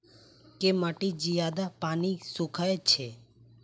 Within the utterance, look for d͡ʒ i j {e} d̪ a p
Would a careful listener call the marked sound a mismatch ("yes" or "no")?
yes